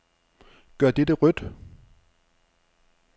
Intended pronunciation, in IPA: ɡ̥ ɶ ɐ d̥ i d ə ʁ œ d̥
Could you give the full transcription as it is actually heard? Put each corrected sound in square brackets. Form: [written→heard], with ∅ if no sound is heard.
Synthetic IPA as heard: ɡ̥ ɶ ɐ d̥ [i→e] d ə ʁ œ d̥